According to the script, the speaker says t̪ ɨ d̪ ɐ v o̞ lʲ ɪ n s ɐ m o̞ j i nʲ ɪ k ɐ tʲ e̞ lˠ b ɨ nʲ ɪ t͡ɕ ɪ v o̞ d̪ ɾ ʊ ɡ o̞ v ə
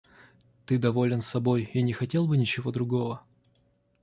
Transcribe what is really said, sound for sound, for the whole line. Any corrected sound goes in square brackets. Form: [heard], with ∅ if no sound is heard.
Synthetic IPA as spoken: t̪ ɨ d̪ ɐ v o̞ lʲ ɪ n s ɐ [b] o̞ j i nʲ ɪ [x] ɐ tʲ e̞ lˠ b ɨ nʲ ɪ t͡ɕ ɪ v o̞ d̪ ɾ ʊ ɡ o̞ v ə